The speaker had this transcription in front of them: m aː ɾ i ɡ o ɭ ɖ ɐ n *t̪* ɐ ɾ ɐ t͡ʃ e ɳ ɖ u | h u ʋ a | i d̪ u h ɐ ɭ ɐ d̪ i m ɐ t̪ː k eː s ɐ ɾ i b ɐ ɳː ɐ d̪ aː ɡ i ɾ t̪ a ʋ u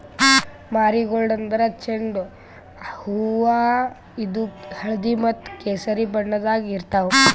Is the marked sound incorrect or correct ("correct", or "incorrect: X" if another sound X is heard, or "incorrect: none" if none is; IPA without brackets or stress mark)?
incorrect: d̪